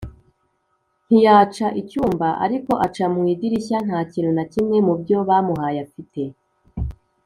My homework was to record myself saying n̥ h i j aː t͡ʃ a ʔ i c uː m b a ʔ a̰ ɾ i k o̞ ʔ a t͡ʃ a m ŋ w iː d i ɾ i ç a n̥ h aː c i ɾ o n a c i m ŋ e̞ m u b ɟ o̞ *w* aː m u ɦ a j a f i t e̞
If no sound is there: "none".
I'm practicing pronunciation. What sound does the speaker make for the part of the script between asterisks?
β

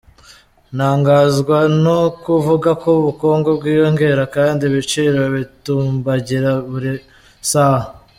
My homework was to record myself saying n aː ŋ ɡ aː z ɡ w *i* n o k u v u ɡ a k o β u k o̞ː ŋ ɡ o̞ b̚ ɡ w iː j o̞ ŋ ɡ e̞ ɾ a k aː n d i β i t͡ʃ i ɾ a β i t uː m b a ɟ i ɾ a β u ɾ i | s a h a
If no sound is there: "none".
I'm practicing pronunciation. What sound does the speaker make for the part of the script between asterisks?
a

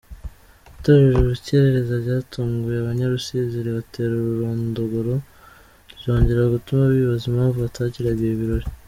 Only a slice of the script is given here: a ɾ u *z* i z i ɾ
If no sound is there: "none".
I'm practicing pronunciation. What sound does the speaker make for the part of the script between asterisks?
s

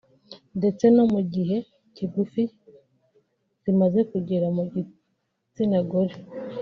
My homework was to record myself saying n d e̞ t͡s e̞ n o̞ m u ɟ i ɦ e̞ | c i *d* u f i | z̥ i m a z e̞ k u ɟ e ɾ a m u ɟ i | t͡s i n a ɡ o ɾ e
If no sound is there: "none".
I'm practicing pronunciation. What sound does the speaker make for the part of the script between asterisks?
ɡ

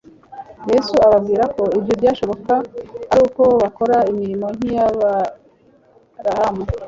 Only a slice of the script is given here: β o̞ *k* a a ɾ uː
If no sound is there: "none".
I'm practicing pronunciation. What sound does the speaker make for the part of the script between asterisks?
k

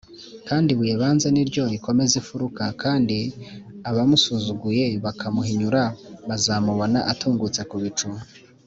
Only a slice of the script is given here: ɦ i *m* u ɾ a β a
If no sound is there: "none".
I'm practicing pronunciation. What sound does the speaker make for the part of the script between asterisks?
ɲ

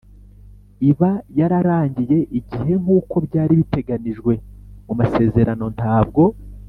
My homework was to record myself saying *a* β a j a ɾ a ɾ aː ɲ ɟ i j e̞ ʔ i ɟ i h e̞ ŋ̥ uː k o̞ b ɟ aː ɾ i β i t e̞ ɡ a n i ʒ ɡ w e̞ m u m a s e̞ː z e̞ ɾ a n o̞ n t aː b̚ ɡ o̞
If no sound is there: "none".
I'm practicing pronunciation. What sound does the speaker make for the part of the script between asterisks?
i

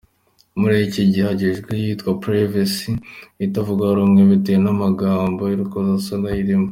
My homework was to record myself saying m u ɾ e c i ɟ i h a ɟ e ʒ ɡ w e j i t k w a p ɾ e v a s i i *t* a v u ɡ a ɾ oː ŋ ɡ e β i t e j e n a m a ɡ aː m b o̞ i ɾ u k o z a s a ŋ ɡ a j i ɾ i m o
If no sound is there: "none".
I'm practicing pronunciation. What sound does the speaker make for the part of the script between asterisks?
t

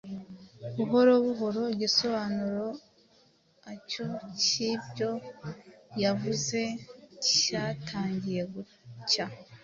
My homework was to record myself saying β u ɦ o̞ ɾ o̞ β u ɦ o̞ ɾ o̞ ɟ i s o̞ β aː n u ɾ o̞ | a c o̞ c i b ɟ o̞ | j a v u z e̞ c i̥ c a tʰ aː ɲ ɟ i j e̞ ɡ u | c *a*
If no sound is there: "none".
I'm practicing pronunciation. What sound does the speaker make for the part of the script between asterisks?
a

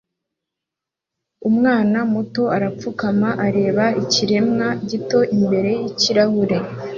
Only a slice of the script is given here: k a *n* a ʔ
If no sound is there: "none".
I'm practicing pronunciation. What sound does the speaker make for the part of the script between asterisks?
m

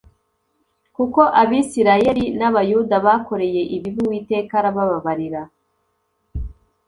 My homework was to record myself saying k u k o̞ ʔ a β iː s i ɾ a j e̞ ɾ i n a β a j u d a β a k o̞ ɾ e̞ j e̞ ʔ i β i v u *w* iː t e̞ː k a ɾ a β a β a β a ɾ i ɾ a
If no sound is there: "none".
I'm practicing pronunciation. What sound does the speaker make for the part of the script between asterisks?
w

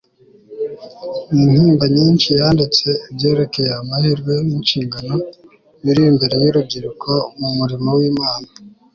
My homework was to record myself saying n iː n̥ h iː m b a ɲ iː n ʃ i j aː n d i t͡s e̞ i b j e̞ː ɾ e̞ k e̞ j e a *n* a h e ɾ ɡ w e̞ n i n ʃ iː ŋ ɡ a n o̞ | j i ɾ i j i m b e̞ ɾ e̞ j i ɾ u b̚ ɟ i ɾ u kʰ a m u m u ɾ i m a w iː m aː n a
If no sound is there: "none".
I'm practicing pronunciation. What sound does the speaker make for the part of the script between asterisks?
m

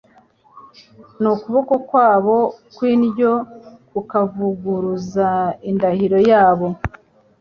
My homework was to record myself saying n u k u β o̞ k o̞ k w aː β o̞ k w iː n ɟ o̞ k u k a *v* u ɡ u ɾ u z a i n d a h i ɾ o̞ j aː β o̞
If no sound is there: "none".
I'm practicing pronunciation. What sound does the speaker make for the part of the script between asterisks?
v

